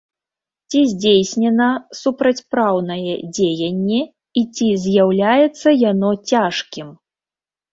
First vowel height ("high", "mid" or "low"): high